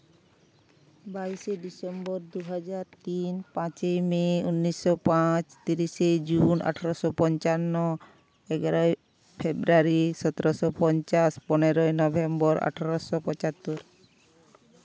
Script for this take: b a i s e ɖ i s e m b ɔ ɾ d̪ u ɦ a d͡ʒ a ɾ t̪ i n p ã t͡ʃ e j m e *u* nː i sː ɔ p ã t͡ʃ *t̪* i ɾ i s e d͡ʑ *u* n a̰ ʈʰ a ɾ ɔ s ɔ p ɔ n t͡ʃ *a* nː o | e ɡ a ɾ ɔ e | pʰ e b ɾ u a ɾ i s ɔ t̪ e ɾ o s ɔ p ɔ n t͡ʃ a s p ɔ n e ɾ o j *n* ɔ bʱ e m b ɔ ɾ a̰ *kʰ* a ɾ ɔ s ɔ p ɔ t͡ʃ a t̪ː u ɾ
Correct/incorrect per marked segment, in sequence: correct, correct, correct, correct, correct, incorrect: ʈʰ

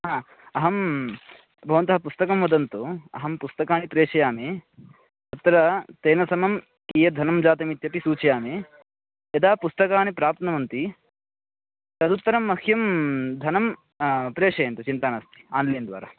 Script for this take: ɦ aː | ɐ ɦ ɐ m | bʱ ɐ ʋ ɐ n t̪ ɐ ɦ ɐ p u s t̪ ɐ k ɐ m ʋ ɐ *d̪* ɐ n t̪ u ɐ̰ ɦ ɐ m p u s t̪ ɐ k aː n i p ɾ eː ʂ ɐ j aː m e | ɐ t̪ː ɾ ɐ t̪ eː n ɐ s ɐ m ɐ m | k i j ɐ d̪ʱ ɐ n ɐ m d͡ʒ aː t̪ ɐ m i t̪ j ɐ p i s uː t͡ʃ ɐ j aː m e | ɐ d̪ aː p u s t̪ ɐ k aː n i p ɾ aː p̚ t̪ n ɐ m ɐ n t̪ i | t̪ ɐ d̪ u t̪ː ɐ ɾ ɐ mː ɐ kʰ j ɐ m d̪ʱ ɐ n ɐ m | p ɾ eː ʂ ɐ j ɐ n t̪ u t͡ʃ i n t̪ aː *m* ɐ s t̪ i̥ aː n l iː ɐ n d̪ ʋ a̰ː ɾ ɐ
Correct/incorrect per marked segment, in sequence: correct, incorrect: n

